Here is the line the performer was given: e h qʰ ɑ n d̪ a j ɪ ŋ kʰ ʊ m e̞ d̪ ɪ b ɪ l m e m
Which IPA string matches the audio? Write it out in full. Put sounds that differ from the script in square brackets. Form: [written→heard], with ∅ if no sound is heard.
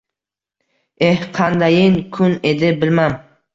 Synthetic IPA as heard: e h qʰ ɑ n d̪ a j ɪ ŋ kʰ ʊ [m→n] e̞ d̪ ɪ b ɪ l m [e→a] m